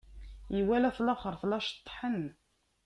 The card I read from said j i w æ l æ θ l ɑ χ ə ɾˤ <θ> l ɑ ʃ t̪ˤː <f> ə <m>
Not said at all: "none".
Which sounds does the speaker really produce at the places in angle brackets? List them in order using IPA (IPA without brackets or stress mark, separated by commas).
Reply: θ, ħ, n